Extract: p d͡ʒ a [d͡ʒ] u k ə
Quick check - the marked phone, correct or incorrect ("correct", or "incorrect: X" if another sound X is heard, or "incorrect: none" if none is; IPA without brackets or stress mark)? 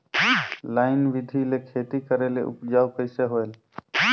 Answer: incorrect: none